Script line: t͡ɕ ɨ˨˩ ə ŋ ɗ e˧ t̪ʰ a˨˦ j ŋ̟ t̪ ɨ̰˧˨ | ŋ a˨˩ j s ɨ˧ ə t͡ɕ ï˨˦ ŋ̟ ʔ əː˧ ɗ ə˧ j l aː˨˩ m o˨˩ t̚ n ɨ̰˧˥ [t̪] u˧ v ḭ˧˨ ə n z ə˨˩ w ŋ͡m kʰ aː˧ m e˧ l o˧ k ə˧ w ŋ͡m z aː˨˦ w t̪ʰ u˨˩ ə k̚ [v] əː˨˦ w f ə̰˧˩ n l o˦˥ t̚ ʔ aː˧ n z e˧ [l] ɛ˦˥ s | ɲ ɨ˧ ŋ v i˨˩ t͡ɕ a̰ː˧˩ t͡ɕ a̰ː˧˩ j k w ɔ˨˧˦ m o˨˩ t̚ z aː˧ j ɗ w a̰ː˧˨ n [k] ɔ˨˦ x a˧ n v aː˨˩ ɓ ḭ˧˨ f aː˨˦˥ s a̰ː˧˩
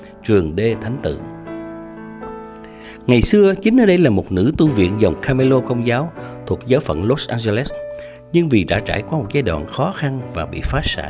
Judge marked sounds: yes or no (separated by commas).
yes, no, yes, no